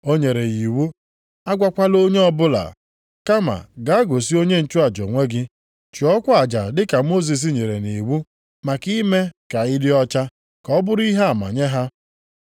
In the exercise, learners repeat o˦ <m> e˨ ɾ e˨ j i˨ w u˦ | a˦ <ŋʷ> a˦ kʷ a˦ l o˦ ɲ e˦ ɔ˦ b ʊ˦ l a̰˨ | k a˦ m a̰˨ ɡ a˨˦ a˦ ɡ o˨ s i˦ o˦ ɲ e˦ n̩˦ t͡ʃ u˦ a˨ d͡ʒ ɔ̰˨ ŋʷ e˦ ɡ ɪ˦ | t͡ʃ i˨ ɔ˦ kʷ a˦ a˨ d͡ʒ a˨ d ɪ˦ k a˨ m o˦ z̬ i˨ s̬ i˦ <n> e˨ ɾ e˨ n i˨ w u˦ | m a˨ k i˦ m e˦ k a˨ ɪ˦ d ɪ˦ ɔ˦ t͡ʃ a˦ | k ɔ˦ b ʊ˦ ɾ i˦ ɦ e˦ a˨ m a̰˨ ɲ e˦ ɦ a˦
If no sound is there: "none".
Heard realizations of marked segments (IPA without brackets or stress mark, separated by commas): ɲ, ɡʷ, ɲ